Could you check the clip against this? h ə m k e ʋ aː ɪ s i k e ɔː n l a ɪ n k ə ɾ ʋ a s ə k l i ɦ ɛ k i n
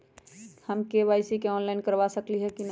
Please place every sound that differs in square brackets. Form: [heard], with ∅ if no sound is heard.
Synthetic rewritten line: h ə m k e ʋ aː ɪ s i k e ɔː n l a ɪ n k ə ɾ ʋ a s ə k l i ɦ ɛ k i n